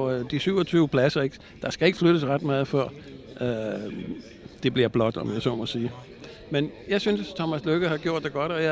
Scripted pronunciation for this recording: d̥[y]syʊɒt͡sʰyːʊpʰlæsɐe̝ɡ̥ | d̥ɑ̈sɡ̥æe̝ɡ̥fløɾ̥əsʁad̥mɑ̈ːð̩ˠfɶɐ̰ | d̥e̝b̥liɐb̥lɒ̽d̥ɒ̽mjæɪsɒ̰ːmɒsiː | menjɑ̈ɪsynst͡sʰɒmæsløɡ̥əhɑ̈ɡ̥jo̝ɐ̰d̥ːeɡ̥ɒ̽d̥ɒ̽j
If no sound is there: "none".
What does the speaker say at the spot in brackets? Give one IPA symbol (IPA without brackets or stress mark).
i